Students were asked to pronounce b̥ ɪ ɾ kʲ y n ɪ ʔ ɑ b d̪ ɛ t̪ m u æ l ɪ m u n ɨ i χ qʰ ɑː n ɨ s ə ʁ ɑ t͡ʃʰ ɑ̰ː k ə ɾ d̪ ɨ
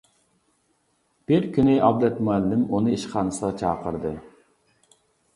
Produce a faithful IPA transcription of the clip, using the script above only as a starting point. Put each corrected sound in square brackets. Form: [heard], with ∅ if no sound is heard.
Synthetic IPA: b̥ ɪ ɾ kʲ y n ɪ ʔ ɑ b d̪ ɛ t̪ m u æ [lː] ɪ m u n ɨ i [ʃ] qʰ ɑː n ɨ s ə ʁ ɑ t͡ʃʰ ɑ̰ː [q] ə ɾ d̪ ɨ